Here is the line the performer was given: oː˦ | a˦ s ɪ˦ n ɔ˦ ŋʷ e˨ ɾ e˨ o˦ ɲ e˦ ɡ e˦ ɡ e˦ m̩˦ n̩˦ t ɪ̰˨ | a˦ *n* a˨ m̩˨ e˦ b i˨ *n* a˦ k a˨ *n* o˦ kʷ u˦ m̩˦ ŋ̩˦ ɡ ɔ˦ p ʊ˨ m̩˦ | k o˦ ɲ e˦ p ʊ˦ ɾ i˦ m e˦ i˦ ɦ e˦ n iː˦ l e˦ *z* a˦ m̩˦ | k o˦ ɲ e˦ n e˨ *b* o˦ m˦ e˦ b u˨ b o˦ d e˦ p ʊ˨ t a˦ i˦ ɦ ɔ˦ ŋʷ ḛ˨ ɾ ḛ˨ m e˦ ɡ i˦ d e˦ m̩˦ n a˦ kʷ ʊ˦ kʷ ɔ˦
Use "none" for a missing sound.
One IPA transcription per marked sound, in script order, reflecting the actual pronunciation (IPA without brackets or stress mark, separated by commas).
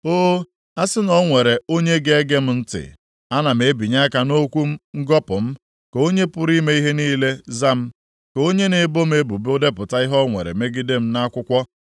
n, ɲ, n, z, b